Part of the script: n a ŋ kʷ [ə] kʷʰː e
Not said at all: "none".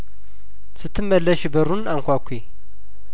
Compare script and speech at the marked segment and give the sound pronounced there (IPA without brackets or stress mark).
a